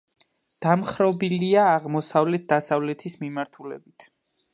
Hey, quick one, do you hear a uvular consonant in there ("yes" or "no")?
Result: yes